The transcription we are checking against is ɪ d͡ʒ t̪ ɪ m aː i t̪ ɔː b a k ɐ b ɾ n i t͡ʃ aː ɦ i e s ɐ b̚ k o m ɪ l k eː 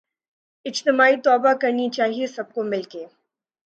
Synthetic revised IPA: ɪ d͡ʒ t̪ ɪ m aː i t̪ ɔː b a k ɐ ɾ n i t͡ʃ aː ɦ i e s ɐ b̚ k o m ɪ l k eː